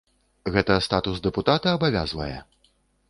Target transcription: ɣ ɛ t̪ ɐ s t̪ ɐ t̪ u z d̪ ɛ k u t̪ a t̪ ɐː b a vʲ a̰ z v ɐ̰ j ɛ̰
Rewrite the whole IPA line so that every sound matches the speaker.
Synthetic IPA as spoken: ɣ ɛ t̪ ɐ s t̪ a t̪ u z d̪ ɛ p u t̪ a t̪ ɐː b a vʲ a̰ z v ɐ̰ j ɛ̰